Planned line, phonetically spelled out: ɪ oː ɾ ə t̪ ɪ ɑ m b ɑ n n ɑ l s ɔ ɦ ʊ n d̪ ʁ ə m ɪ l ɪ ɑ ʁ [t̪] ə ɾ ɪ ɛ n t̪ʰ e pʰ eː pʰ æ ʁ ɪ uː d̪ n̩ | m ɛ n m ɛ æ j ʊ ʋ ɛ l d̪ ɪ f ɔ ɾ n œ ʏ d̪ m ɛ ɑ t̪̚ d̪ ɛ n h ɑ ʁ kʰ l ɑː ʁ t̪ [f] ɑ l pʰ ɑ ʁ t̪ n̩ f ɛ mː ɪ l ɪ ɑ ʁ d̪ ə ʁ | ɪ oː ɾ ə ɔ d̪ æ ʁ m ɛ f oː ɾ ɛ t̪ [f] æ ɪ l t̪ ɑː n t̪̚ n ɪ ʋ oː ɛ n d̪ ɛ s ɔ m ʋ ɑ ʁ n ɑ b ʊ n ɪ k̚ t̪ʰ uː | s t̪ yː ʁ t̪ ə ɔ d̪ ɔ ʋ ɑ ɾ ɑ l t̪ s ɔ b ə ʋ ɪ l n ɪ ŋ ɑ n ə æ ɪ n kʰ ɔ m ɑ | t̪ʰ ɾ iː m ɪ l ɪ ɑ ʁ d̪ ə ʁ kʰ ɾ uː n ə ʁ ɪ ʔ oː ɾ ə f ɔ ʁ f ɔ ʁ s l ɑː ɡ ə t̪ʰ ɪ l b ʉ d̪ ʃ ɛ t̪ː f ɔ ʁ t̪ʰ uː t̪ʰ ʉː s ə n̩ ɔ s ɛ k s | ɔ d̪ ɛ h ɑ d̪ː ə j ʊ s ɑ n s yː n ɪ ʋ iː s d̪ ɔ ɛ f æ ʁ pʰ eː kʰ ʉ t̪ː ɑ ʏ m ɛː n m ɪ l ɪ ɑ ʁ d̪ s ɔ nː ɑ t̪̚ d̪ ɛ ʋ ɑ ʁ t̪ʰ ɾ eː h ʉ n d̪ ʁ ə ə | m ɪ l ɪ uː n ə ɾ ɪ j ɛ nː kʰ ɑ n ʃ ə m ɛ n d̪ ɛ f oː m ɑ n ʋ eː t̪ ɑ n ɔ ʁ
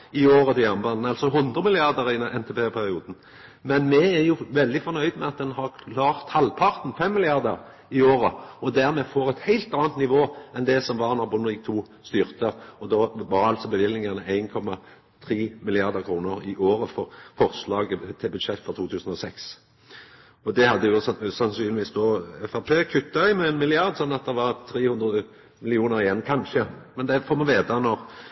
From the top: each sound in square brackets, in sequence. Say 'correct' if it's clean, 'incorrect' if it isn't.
incorrect, incorrect, incorrect

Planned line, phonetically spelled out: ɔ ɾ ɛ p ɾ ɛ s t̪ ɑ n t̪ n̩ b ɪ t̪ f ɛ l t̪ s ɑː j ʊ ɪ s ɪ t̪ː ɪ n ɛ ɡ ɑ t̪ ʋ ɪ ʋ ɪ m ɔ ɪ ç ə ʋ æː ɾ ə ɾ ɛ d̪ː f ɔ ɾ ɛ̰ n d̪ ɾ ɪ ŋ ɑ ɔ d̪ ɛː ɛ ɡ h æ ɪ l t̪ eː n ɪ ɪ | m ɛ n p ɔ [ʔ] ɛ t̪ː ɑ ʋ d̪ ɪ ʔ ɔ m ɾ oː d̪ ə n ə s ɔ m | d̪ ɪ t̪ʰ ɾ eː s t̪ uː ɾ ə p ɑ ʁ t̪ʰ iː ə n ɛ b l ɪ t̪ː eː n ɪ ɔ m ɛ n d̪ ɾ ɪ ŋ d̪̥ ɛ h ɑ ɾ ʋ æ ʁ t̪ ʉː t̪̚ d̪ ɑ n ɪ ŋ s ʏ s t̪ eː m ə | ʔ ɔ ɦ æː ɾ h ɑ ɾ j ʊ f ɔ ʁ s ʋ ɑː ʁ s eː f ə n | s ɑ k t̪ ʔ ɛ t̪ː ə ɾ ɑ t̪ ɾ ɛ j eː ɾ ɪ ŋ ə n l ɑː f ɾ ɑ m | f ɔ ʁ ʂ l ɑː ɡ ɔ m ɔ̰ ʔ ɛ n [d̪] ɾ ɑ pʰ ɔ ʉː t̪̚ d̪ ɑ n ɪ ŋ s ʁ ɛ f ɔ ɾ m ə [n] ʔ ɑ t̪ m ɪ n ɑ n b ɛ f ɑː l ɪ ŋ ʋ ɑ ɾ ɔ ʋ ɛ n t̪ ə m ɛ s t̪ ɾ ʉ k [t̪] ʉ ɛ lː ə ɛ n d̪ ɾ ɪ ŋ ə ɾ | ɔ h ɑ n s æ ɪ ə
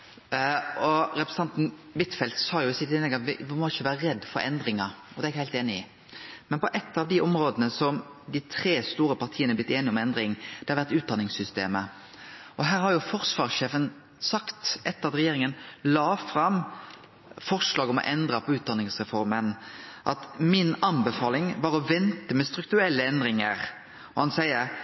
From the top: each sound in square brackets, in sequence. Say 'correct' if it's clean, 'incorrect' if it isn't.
correct, correct, correct, correct

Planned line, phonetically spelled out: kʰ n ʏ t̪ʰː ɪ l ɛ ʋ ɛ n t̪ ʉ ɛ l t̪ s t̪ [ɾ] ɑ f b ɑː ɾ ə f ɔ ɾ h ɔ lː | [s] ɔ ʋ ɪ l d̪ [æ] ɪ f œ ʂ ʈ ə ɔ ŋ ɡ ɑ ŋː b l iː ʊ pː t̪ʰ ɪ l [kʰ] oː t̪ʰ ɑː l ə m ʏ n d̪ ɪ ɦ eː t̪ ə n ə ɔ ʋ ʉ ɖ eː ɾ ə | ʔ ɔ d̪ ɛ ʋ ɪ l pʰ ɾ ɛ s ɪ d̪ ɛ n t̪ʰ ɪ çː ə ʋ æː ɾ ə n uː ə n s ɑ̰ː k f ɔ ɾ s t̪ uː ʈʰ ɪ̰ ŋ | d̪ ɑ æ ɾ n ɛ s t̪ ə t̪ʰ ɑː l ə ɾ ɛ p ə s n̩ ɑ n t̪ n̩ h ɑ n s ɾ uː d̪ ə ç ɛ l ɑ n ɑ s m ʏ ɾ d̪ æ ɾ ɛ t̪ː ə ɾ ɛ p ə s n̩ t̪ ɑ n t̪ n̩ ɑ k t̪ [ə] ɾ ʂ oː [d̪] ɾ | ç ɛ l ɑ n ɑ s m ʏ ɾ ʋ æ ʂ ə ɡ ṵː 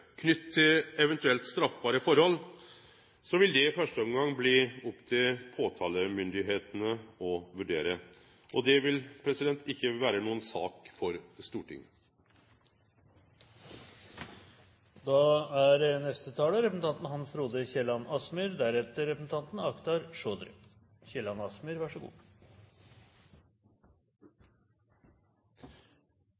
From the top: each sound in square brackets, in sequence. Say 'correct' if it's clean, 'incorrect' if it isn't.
correct, correct, incorrect, incorrect, incorrect, correct

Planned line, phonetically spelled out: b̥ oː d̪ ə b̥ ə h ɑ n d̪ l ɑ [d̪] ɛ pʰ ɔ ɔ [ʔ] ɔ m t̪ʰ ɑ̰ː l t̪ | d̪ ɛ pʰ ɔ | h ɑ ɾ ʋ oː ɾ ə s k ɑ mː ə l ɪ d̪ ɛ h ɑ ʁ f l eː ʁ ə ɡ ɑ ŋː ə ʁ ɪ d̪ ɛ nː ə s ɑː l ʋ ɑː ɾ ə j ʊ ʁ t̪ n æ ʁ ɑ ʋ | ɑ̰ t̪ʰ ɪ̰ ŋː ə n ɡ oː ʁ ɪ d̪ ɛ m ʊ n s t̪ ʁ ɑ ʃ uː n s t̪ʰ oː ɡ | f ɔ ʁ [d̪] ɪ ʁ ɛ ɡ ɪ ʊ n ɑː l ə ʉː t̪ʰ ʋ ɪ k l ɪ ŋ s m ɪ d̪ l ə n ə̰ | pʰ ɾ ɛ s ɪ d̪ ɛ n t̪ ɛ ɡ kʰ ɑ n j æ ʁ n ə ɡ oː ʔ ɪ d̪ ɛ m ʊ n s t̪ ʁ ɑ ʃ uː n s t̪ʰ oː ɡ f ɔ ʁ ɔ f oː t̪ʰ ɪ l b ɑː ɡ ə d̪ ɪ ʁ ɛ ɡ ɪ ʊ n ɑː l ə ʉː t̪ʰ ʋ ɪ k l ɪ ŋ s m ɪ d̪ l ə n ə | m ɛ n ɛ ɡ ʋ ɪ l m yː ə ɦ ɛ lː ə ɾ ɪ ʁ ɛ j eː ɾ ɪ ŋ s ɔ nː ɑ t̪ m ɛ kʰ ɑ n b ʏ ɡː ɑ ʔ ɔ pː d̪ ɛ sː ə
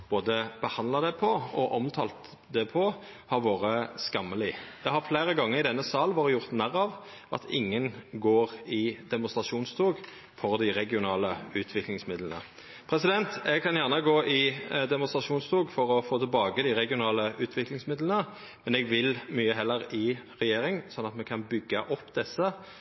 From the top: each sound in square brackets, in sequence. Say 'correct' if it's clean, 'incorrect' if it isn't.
correct, correct, correct

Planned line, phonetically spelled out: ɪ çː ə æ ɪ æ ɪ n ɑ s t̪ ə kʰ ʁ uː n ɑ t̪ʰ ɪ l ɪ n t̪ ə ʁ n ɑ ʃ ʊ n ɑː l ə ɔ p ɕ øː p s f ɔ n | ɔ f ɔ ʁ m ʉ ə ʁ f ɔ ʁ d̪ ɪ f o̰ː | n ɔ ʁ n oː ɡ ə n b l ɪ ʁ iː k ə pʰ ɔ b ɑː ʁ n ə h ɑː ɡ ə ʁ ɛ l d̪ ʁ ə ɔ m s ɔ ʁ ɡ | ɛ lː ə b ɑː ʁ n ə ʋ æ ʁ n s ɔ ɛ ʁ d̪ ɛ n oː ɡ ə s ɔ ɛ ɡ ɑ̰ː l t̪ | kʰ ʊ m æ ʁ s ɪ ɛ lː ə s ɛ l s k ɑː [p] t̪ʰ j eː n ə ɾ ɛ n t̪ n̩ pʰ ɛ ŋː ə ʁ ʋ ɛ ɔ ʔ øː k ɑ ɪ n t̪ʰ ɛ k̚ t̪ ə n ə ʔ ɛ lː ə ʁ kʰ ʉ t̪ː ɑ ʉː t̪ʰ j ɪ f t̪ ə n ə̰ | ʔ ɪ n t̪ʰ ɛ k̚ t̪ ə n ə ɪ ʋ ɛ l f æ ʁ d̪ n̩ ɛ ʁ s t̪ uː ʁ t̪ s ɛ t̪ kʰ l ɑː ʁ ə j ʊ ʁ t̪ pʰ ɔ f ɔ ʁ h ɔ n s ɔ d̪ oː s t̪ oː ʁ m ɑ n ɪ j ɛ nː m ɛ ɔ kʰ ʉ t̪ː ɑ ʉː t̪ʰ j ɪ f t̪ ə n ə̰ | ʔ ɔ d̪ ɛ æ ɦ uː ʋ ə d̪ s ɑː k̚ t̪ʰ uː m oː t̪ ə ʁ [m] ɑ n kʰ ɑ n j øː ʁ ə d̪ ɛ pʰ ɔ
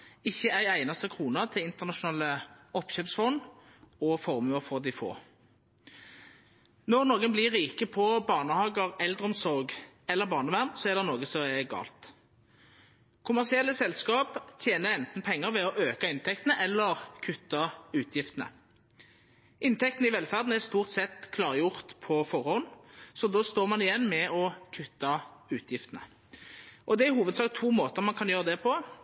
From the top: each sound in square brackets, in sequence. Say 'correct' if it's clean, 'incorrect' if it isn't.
correct, correct

